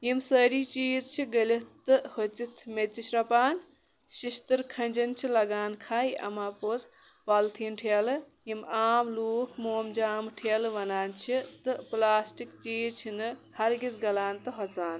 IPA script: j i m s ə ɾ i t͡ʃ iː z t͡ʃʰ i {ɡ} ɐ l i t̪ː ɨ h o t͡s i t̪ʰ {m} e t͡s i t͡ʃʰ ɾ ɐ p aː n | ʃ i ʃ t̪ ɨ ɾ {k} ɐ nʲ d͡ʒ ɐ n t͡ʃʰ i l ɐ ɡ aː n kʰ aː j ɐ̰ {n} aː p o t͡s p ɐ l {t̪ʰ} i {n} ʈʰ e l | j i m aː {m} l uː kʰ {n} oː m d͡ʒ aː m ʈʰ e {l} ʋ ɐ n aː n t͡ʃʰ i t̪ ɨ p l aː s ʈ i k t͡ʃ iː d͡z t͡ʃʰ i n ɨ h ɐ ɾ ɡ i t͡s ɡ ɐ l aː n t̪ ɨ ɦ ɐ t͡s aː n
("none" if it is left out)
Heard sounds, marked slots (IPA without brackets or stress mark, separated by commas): ɡ, m, kʰ, m, t̪ʰ, n, m, m, l